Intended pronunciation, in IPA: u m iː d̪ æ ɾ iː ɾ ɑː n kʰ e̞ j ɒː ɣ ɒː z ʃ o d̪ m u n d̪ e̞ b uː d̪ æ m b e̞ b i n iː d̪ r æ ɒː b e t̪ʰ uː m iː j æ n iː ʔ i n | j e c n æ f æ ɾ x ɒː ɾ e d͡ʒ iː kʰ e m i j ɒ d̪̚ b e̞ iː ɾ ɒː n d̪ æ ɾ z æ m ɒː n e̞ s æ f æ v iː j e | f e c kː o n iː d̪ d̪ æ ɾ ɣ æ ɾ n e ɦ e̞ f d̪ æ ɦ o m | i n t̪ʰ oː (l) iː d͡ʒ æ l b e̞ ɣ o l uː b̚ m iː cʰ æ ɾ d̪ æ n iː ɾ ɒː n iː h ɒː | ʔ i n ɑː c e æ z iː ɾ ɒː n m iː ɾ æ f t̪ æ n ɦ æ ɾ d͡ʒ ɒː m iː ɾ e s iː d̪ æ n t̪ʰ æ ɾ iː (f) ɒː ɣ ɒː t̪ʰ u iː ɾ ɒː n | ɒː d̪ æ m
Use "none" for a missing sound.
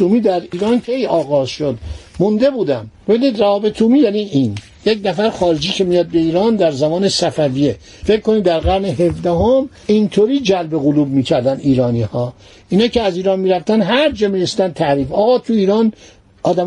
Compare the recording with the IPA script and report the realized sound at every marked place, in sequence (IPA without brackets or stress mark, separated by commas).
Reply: ɾ, f